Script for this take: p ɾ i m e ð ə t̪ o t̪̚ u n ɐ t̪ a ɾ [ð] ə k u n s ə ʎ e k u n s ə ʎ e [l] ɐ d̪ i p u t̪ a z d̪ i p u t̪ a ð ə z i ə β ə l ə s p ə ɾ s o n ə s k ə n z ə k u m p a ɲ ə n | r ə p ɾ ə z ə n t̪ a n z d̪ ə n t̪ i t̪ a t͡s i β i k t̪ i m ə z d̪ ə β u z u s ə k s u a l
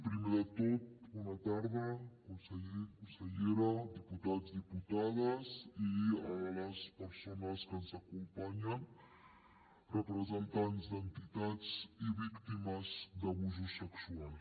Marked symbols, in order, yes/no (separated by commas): yes, no